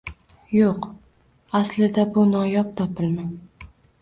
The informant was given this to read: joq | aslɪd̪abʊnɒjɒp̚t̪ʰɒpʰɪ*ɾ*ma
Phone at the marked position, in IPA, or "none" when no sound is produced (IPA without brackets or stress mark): l